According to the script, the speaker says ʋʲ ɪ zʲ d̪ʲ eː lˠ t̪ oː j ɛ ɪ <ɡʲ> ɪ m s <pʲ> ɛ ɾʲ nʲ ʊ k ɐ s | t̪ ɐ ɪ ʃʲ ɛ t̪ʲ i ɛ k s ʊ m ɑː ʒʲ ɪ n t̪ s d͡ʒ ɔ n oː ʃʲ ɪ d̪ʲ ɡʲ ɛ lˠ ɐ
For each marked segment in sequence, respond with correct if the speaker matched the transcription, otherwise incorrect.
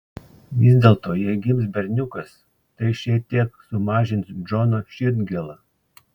correct, incorrect

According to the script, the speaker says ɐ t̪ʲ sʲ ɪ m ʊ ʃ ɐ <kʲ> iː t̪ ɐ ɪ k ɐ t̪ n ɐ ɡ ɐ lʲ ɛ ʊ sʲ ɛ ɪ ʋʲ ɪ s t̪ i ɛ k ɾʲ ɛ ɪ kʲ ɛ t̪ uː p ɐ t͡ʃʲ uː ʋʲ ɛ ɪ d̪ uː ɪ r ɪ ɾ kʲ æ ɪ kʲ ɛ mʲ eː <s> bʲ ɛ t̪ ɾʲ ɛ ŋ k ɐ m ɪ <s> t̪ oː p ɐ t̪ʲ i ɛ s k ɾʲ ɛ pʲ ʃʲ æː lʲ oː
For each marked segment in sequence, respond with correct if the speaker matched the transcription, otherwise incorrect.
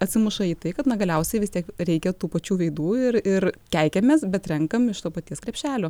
incorrect, correct, incorrect

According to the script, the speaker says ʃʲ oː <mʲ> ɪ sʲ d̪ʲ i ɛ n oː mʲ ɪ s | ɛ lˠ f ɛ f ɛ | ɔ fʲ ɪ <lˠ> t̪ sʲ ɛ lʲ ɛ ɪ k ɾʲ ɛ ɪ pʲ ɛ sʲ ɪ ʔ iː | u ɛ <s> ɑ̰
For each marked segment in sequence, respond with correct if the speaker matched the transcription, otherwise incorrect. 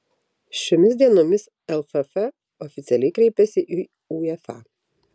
correct, incorrect, incorrect

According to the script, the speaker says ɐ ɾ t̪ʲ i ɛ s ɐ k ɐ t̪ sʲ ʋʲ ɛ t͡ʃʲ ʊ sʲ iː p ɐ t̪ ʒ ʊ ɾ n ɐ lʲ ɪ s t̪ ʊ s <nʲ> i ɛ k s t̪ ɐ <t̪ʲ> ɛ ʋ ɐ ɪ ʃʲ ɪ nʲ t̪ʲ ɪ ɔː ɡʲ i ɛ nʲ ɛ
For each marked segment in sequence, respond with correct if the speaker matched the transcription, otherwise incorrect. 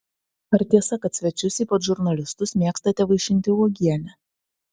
incorrect, correct

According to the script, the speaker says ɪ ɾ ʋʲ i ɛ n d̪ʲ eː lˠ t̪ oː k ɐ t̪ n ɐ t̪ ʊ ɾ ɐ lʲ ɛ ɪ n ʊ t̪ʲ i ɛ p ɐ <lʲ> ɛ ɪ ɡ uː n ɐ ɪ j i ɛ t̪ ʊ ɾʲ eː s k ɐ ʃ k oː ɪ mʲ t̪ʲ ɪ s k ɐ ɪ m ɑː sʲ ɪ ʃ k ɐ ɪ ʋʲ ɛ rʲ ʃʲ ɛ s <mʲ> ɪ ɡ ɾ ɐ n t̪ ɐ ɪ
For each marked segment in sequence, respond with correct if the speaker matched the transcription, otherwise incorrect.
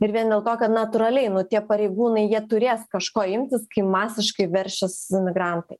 incorrect, correct

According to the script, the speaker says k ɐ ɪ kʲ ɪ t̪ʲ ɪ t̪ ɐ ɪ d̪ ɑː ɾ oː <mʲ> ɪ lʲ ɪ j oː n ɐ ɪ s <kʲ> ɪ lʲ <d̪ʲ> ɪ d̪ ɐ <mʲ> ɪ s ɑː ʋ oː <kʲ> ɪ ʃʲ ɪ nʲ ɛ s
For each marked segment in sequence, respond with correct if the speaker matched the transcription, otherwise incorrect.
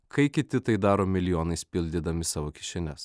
correct, incorrect, correct, correct, correct

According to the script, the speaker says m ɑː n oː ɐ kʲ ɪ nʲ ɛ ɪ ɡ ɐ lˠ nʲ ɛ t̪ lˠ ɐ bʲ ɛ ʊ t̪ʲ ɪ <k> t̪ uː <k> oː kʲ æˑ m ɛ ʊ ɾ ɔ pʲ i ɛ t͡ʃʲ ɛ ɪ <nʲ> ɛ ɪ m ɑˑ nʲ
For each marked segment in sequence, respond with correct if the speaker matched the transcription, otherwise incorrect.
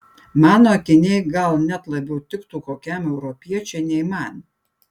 correct, correct, correct

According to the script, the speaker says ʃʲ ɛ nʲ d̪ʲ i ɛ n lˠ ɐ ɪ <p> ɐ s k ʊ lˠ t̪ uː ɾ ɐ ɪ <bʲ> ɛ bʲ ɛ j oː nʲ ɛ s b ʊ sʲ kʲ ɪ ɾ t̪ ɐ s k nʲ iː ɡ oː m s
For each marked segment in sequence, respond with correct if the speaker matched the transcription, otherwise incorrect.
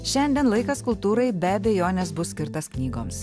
incorrect, correct

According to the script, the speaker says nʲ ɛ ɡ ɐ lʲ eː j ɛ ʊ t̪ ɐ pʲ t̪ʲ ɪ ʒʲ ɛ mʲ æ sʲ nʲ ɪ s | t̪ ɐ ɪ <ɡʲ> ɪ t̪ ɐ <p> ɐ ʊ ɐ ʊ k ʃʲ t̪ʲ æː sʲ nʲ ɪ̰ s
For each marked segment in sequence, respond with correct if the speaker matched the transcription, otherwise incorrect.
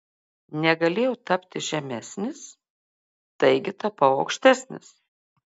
correct, correct

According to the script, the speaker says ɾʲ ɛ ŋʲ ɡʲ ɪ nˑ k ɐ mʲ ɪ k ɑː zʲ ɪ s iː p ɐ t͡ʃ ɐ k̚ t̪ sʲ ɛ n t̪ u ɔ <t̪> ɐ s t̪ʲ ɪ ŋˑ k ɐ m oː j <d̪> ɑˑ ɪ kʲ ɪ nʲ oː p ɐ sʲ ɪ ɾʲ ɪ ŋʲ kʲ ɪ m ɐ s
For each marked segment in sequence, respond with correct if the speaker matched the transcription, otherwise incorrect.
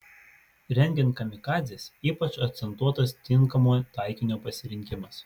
correct, incorrect

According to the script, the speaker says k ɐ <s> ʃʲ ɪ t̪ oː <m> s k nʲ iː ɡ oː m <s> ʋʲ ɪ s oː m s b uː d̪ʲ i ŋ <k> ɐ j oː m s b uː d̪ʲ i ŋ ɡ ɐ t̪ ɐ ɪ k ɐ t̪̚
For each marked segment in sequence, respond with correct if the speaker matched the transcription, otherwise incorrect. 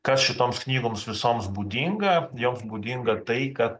correct, correct, correct, incorrect

